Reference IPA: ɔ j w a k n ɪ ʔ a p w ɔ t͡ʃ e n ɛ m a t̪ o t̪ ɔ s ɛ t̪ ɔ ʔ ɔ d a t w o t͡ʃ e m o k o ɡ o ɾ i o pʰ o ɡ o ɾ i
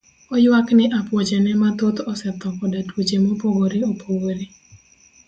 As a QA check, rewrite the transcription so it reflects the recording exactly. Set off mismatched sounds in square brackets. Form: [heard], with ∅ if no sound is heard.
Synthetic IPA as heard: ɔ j w a k n ɪ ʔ a p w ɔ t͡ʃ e n ɛ m a t̪ o t̪ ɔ s ɛ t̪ ɔ [k] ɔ d a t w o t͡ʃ e m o [p] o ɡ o ɾ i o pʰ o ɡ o ɾ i